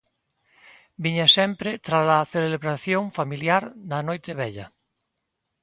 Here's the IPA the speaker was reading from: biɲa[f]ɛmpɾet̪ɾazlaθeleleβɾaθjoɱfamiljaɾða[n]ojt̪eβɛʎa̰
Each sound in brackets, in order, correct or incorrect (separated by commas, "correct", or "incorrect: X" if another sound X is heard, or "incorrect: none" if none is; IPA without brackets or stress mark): incorrect: s, correct